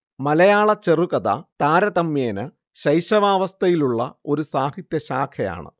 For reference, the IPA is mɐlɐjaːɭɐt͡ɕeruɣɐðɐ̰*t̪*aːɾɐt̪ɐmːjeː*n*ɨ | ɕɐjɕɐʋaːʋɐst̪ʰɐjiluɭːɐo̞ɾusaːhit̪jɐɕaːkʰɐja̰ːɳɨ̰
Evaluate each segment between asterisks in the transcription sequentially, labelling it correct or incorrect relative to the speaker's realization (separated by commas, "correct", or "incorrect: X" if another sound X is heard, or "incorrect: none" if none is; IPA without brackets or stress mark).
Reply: correct, correct